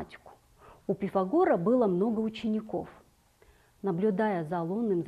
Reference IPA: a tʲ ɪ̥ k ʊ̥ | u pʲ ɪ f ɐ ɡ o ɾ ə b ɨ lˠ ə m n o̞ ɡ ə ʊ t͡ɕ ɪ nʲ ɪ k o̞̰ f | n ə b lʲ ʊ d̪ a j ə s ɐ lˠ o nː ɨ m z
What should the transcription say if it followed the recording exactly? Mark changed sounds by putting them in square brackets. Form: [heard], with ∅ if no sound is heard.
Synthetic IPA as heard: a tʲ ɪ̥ k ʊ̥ | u pʲ ɪ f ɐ ɡ o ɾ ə b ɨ lˠ ə m n o̞ ɡ ə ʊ t͡ɕ ɪ nʲ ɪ k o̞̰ f | n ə b lʲ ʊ d̪ a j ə [z] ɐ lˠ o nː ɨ m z

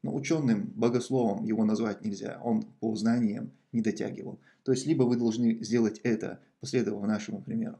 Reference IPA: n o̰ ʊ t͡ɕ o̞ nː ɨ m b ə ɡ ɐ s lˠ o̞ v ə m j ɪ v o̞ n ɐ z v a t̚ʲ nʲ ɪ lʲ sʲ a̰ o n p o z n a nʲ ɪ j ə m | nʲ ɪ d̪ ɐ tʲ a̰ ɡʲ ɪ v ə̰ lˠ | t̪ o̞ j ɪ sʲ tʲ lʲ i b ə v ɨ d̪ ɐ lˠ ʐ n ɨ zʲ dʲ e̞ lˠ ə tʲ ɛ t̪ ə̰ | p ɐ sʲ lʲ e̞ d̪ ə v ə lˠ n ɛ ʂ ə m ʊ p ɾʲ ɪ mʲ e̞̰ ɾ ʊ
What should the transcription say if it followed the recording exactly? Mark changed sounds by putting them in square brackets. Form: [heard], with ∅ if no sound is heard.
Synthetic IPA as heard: n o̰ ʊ t͡ɕ o̞ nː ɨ m b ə ɡ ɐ s lˠ o̞ v ə m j ɪ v o̞ n ɐ z v a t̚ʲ nʲ ɪ lʲ [zʲ] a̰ o n p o z n a nʲ ɪ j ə m | nʲ ɪ d̪ ɐ tʲ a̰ ɡʲ ɪ v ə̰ lˠ | t̪ o̞ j ɪ sʲ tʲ lʲ i b ə v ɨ d̪ ɐ lˠ ʐ n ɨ zʲ dʲ e̞ lˠ ə tʲ ɛ t̪ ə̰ | p ɐ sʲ lʲ e̞ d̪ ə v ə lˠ n [a] ʂ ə m ʊ p ɾʲ ɪ mʲ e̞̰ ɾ ʊ

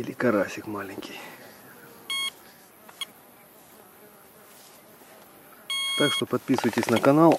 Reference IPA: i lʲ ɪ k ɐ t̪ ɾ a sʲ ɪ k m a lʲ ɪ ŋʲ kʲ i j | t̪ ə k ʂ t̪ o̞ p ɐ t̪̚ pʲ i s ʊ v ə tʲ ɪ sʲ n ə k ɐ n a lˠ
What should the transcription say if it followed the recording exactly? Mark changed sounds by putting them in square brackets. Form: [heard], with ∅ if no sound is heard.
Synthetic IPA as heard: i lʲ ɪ k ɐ [∅] ɾ a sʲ ɪ k m a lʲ ɪ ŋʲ kʲ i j | t̪ [a] k ʂ t̪ o̞ p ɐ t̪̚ pʲ i s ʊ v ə tʲ ɪ sʲ n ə k ɐ n a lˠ

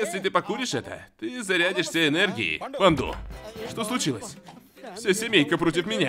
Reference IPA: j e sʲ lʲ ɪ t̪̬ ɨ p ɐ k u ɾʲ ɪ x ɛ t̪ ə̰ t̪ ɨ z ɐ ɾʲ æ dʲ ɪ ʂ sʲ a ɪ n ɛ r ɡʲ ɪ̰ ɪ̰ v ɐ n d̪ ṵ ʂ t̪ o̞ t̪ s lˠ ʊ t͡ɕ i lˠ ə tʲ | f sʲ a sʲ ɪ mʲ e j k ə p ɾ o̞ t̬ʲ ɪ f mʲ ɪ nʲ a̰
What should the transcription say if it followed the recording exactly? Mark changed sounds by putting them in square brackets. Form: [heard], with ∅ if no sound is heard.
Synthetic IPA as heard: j e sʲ lʲ ɪ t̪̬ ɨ p ɐ k u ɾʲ ɪ [ʂ] ɛ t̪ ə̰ t̪ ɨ z ɐ ɾʲ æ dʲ ɪ ʂ sʲ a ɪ n ɛ r ɡʲ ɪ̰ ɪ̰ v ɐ n d̪ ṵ ʂ t̪ o̞ [∅] s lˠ ʊ t͡ɕ i lˠ ə [sʲ] | f sʲ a sʲ ɪ mʲ e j k ə p ɾ o̞ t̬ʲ ɪ f mʲ ɪ nʲ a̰

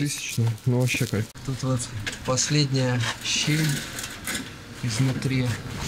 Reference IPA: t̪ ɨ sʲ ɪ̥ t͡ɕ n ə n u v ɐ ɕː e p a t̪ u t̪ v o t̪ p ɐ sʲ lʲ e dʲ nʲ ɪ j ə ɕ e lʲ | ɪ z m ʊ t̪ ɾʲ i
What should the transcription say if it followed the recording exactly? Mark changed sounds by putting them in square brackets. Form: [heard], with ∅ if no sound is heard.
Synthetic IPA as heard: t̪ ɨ sʲ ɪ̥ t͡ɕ n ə n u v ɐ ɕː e [k] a t̪ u t̪ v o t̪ p ɐ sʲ lʲ e dʲ nʲ ɪ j ə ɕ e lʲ | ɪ z [n] ʊ t̪ ɾʲ i

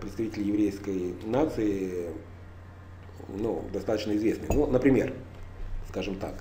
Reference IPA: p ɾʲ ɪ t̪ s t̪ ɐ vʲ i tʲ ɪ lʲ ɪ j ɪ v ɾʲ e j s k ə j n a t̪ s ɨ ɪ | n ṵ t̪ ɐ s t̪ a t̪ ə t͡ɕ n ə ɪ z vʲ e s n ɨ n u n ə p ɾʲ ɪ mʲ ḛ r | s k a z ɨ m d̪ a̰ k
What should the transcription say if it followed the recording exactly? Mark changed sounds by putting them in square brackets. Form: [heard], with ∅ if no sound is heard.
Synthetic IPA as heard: p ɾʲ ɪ t̪ s t̪ ɐ vʲ i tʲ ɪ lʲ ɪ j ɪ v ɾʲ e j s k ə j n a t̪ s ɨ ɪ | n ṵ [d̪] ɐ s t̪ a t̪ ə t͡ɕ n ə ɪ z vʲ e s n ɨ n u n ə p ɾʲ ɪ mʲ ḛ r | s k a [ʐ] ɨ m [t̪] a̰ k

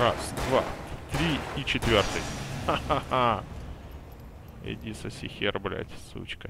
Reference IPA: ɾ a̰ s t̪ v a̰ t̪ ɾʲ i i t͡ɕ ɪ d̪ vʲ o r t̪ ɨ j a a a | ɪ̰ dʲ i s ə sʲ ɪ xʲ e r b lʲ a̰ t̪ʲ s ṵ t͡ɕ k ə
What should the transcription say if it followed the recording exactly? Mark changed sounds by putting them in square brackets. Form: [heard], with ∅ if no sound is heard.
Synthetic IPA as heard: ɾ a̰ s [d̪] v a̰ t̪ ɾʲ i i t͡ɕ ɪ [t̪] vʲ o r t̪ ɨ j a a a | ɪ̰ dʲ i s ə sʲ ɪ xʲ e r b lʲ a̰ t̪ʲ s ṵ t͡ɕ k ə

